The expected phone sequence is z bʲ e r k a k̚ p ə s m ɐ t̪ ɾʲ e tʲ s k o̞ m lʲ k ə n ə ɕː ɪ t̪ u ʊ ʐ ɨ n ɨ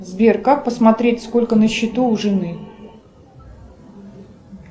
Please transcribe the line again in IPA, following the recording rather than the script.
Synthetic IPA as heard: z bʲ e r k a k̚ p ə s m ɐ t̪ ɾʲ e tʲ s k o̞ lʲ k ə n ə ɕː ɪ t̪ u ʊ ʐ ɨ n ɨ